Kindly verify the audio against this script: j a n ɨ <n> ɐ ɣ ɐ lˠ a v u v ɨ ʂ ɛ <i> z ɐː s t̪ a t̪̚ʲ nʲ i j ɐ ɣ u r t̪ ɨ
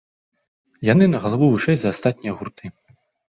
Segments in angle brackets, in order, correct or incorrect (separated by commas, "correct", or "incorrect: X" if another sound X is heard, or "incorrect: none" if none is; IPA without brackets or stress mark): correct, incorrect: j